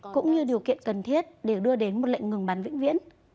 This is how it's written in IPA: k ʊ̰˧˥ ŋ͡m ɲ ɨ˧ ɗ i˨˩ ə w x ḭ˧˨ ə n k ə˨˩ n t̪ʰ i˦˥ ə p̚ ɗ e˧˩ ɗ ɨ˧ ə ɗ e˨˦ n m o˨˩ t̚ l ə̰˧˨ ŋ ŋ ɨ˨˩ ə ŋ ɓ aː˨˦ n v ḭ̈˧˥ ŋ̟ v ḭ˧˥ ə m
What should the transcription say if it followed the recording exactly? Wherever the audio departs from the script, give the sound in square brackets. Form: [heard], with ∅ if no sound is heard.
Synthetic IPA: k ʊ̰˧˥ ŋ͡m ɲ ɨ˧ ɗ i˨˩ ə w [k] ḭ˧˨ ə n k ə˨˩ n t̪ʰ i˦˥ ə [t̚] ɗ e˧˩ ɗ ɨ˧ ə ɗ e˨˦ n m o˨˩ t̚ l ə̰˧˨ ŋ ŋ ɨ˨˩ ə ŋ ɓ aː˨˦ n v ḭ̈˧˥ ŋ̟ v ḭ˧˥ ə [n]